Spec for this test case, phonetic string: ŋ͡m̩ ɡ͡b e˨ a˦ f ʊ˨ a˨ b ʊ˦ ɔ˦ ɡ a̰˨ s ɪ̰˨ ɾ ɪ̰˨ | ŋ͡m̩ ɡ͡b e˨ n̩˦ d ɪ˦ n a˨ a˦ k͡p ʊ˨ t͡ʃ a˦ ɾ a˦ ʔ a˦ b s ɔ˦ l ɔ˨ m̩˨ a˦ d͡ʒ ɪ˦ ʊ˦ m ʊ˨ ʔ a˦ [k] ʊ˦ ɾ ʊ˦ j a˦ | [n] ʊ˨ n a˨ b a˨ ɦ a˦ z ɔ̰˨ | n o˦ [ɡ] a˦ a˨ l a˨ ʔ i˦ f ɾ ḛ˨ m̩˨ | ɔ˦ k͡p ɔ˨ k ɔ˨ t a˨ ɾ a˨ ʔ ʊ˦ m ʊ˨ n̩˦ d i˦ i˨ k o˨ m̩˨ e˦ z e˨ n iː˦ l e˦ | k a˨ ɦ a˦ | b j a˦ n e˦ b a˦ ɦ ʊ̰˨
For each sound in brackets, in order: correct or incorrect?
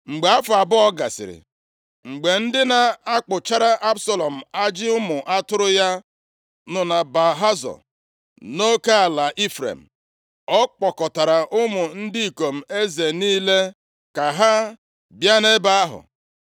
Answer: incorrect: t, correct, incorrect: k

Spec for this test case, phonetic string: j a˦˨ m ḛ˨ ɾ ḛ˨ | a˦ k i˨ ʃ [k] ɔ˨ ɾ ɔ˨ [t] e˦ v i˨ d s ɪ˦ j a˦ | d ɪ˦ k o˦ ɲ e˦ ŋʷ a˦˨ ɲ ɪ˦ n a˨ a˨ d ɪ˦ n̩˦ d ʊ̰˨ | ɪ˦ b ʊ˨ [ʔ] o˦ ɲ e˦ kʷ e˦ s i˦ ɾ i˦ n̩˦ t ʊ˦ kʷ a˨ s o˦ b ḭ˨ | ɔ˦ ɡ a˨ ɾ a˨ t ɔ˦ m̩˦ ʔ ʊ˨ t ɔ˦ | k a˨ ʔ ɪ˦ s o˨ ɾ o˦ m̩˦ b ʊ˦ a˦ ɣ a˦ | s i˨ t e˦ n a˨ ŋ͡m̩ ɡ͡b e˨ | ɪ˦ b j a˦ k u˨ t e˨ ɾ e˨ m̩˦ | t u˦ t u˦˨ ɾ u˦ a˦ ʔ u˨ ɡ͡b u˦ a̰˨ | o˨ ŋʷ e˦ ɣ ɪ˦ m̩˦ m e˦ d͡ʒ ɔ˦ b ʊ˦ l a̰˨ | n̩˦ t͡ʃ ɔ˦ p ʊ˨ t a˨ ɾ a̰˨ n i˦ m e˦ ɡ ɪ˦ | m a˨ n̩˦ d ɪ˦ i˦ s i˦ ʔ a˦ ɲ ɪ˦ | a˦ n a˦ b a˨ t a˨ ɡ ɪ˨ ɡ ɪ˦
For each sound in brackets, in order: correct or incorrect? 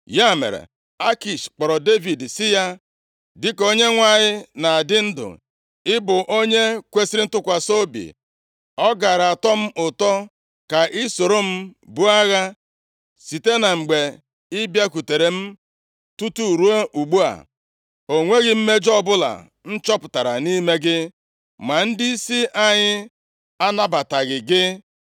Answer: incorrect: k͡p, incorrect: d, correct

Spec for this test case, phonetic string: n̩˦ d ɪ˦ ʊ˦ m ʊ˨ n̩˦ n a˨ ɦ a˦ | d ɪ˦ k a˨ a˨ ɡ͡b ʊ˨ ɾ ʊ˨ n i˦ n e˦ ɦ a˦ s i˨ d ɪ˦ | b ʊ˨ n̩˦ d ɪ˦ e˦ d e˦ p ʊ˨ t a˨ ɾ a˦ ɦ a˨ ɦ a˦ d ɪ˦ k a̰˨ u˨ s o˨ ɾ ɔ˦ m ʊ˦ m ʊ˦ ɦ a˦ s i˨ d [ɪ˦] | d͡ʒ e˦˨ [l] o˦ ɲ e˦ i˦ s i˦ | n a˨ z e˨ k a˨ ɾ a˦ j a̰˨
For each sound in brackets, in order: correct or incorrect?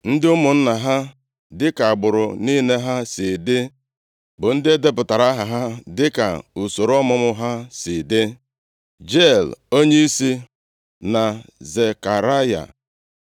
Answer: correct, correct

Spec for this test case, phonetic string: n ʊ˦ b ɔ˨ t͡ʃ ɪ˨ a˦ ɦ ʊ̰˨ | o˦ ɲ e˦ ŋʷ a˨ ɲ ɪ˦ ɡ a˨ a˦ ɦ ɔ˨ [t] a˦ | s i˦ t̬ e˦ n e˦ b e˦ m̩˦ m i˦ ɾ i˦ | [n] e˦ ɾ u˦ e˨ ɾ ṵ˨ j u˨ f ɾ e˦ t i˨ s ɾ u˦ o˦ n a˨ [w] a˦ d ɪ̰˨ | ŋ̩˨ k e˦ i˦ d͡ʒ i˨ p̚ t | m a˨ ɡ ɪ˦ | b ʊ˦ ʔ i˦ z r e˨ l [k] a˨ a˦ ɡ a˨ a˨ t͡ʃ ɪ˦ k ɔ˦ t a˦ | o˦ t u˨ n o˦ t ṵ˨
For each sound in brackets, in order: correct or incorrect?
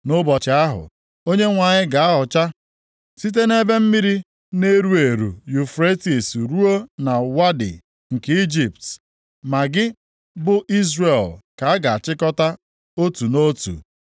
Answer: incorrect: t͡ʃ, correct, correct, correct

